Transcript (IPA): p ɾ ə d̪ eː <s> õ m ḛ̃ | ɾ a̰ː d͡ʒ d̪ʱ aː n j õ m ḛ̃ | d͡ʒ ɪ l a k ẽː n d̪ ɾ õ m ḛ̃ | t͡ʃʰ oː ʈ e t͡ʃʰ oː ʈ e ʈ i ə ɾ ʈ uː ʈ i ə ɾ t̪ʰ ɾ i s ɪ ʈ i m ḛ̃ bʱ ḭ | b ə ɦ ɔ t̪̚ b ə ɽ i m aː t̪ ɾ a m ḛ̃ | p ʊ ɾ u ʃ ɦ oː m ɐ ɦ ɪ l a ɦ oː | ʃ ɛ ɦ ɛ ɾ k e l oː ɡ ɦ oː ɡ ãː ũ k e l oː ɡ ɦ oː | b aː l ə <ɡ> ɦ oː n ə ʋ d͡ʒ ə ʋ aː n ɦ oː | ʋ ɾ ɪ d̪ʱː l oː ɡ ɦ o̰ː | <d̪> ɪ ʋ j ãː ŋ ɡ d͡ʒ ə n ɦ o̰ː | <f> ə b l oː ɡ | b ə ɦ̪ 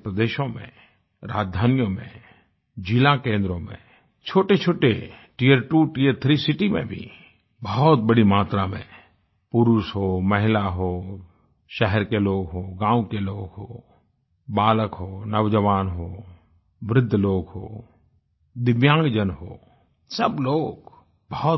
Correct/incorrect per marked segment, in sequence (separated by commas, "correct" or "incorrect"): incorrect, incorrect, correct, incorrect